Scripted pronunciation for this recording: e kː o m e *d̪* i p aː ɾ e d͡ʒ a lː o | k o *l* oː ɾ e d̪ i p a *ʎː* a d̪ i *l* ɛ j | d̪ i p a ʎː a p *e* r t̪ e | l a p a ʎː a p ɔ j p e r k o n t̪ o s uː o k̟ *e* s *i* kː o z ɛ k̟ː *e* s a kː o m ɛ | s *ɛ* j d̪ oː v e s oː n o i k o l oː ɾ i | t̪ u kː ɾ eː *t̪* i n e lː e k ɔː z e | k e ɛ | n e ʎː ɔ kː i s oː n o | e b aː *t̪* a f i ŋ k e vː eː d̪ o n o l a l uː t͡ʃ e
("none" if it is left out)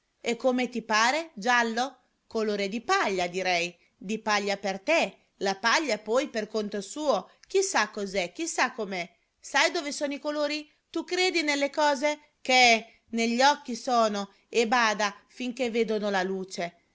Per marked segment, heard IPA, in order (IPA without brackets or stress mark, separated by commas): t̪, l, ʎː, ɾ, e, i, a, i, a, d̪, d̪